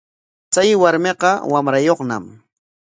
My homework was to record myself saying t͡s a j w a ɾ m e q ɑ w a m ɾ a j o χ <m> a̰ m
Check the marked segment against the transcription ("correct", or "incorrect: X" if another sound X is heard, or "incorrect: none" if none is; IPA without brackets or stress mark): incorrect: n